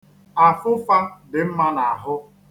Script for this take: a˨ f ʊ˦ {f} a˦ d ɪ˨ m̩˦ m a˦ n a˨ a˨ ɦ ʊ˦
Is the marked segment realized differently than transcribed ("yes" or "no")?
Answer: no